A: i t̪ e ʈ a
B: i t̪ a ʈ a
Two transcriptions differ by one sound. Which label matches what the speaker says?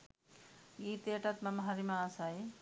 A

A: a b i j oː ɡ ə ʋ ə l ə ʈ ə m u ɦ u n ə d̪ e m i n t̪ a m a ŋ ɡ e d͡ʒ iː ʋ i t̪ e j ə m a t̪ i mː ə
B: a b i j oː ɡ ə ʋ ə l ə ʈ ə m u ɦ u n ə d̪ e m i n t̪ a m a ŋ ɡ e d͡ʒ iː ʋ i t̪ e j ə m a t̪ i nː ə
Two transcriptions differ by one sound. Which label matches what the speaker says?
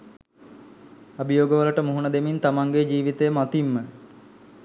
A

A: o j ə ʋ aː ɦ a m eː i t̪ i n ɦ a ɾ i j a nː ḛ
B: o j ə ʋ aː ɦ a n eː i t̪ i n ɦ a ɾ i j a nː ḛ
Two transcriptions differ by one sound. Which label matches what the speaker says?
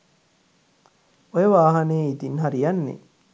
B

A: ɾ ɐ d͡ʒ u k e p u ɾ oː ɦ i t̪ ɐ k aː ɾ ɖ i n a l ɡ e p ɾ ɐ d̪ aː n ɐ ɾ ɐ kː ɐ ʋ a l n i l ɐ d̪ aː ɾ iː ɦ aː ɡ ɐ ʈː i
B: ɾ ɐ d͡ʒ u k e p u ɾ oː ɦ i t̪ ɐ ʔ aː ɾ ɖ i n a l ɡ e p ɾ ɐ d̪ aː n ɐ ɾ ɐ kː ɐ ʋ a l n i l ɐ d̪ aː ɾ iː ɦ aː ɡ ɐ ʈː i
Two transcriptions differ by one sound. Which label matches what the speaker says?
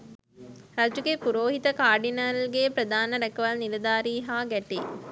A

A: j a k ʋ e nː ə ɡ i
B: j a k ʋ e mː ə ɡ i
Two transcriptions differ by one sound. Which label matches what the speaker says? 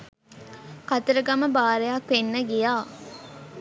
A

